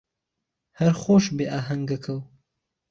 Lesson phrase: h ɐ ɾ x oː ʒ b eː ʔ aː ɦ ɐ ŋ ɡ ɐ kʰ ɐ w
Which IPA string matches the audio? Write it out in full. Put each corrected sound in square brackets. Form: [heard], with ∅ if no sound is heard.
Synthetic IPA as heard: h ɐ ɾ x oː [ʃ] b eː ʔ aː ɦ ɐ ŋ ɡ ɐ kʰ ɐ w